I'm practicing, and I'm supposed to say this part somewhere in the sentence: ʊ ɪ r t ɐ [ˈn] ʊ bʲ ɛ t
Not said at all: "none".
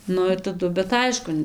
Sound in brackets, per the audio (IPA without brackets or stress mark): d